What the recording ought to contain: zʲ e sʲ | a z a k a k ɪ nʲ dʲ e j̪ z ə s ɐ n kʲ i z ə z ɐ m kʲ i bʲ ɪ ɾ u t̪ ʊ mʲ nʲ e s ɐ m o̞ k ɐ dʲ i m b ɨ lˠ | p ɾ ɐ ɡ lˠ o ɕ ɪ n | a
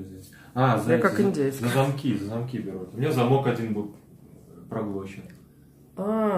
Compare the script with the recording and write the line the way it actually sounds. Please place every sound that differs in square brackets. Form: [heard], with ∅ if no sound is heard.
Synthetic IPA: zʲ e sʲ | a z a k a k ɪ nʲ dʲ e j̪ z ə [z] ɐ [m] kʲ i z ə z ɐ m kʲ i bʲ ɪ ɾ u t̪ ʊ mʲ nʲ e [z] ɐ m o̞ k ɐ dʲ i [n] b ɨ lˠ | p ɾ ɐ ɡ lˠ o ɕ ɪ n | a